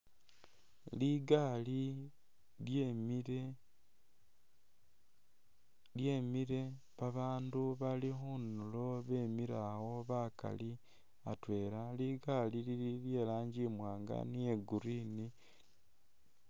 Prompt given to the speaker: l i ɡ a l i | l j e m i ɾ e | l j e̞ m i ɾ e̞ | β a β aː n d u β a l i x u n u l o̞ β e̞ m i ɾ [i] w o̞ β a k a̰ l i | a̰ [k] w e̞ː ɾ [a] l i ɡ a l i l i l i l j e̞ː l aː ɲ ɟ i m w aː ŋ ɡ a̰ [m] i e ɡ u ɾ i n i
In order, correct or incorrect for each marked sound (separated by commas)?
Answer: incorrect, incorrect, correct, incorrect